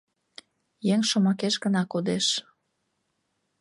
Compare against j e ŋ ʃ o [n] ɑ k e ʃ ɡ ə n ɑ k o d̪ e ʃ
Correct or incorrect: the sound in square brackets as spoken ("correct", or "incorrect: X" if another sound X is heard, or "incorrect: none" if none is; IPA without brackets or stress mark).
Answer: incorrect: m